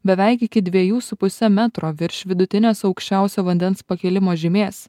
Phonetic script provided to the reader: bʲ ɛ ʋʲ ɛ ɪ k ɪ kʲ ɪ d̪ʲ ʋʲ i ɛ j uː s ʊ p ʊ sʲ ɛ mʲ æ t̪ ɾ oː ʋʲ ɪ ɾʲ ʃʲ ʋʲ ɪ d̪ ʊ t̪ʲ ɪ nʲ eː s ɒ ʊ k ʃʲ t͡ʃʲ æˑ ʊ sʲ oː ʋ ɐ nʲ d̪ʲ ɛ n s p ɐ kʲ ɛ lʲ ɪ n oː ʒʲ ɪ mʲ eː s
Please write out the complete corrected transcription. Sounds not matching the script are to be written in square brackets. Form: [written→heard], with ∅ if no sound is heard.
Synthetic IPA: bʲ ɛ ʋʲ ɛ ɪ k ɪ kʲ ɪ d̪ʲ ʋʲ i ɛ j uː s ʊ p ʊ sʲ ɛ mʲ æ t̪ ɾ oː ʋʲ ɪ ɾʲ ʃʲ ʋʲ ɪ d̪ ʊ t̪ʲ ɪ nʲ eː s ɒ ʊ k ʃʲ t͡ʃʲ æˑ ʊ sʲ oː ʋ ɐ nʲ d̪ʲ ɛ n s p ɐ kʲ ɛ lʲ ɪ [n→m] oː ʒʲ ɪ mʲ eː s